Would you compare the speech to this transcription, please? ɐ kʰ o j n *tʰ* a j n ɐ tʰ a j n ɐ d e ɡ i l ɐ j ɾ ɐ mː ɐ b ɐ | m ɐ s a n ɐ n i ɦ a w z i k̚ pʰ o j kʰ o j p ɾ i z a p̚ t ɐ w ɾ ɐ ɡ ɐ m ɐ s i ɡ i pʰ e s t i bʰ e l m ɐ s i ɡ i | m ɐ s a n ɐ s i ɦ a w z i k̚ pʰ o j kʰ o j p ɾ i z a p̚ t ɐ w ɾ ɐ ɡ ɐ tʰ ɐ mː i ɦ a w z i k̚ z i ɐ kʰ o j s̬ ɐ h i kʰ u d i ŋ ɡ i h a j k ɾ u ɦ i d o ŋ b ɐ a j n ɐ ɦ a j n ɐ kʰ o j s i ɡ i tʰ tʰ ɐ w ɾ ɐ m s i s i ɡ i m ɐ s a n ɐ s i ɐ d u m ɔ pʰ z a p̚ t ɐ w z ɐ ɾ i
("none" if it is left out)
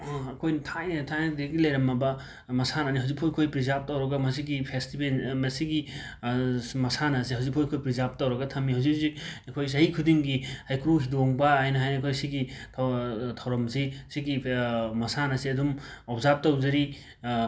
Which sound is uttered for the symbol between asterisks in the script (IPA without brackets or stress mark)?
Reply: tʰ